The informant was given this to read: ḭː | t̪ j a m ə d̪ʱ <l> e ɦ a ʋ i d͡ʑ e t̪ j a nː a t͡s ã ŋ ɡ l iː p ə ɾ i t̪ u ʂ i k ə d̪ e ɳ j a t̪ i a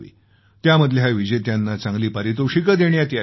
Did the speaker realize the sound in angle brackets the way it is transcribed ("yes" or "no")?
yes